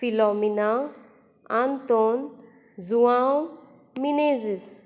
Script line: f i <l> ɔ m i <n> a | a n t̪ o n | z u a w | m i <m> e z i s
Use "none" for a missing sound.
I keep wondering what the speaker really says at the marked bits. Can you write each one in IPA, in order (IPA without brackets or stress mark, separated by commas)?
l, n, n